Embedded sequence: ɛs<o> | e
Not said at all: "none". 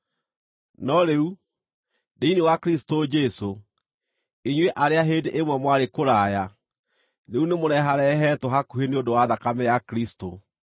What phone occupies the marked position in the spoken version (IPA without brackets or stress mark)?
o